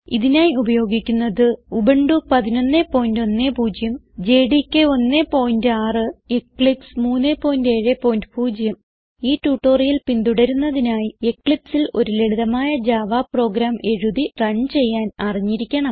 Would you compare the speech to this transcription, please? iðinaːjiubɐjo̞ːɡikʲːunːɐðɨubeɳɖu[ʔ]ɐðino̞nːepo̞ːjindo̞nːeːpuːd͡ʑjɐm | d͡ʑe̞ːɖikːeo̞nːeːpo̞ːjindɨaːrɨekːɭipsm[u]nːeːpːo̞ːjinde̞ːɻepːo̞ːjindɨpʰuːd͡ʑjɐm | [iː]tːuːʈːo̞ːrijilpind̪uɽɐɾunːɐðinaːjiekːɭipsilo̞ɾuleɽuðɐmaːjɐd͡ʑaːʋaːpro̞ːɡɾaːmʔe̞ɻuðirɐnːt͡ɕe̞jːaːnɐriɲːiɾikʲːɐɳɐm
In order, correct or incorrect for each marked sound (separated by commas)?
incorrect, incorrect, correct